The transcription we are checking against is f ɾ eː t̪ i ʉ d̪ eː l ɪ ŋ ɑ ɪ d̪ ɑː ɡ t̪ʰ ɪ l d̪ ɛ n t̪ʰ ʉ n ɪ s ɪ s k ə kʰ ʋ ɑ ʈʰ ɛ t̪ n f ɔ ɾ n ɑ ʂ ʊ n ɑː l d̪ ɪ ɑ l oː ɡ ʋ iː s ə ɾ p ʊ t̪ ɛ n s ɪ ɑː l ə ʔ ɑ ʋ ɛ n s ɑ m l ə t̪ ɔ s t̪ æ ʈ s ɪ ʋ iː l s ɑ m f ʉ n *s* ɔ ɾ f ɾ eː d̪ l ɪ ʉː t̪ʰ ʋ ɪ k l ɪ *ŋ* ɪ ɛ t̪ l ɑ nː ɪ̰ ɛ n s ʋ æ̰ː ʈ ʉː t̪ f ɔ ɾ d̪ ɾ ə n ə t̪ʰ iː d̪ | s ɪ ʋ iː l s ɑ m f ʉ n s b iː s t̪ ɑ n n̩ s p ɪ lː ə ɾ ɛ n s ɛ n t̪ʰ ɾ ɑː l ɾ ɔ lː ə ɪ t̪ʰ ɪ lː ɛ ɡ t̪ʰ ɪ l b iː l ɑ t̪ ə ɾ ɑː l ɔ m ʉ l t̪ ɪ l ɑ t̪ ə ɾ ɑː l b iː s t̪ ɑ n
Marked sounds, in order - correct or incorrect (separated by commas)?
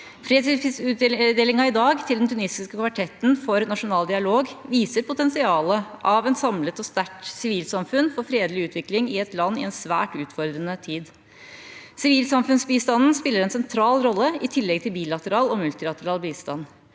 incorrect, correct